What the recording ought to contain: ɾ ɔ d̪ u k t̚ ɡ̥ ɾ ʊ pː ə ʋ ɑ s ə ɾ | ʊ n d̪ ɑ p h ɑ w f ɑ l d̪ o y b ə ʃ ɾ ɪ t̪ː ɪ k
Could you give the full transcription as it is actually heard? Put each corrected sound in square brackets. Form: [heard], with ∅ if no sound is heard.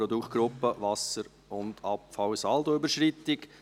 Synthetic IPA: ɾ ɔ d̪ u k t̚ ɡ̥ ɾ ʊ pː ə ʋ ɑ s ə ɾ | ʊ n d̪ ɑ p [f] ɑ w [s] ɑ l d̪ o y b ə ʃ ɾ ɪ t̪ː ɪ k